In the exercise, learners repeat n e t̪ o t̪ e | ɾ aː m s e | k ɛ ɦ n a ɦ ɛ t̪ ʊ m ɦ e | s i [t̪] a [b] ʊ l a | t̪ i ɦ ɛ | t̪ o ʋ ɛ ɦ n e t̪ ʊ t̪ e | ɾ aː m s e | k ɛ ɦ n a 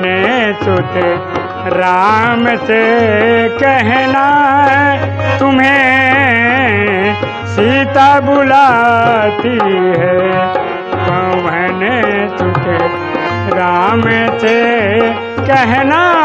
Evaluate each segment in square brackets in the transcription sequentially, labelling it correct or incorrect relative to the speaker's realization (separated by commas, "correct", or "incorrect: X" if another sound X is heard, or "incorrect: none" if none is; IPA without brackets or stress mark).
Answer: correct, correct